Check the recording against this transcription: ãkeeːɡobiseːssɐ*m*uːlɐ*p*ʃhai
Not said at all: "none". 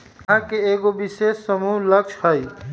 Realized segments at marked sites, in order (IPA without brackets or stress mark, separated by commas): m, k